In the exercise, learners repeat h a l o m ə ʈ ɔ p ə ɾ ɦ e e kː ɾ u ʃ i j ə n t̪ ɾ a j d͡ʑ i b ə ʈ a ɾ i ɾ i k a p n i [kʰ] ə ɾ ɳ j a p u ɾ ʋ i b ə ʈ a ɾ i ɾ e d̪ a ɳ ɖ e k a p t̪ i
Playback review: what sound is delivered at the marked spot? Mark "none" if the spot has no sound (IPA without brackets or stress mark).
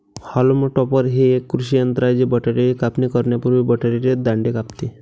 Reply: k